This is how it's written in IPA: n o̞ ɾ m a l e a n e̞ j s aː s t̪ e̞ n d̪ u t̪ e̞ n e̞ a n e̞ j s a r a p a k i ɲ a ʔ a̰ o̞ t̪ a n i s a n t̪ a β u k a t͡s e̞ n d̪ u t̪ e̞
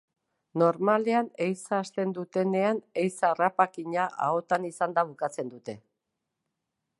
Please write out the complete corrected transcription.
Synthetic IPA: n o̞ ɾ m a l e a n e̞ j s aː s t̪ e̞ n d̪ u t̪ e̞ n e̞ a n e̞ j s a r a p a k i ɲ a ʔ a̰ o̞ t̪ a n i s a n d̪ a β u k a t͡s e̞ n d̪ u t̪ e̞